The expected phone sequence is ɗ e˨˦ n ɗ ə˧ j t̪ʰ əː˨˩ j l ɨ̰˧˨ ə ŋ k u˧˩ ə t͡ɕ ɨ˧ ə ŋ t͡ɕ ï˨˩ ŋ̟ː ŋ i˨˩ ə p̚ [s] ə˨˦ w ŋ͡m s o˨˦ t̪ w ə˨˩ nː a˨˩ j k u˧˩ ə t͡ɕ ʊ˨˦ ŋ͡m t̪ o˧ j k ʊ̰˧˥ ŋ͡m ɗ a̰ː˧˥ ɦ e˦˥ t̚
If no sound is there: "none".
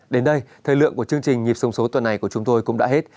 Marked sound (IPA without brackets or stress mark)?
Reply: s